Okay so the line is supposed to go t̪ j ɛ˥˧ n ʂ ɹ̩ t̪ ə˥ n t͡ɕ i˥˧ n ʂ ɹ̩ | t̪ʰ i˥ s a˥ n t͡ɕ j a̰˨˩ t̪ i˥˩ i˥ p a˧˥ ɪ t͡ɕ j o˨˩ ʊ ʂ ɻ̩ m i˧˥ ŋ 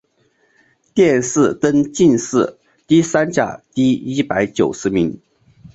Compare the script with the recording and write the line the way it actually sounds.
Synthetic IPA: t̪ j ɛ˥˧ n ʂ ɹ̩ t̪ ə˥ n t͡ɕ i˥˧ n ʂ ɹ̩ | t̪ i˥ s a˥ n t͡ɕ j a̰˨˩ t̪ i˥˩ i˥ p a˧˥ ɪ t͡ɕ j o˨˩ ʊ ʂ ɻ̩ m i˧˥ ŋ